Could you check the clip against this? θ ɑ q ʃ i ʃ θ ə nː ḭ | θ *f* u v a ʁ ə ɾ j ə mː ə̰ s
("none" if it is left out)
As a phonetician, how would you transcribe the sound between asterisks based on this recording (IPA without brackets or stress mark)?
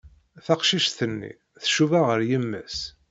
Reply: ʃ